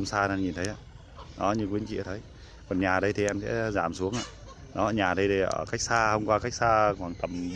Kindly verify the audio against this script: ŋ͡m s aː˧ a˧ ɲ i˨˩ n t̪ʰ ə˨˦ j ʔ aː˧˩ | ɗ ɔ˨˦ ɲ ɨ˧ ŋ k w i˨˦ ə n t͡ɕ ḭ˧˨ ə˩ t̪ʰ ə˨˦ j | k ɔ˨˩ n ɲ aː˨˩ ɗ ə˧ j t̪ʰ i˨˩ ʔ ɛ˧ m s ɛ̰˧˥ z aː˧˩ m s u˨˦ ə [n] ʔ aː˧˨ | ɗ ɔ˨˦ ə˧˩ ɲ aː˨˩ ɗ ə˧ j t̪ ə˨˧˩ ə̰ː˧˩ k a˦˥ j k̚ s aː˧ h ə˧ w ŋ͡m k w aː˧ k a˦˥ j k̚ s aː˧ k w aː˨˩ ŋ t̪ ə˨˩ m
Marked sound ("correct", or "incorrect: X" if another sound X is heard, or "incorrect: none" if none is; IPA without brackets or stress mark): incorrect: ŋ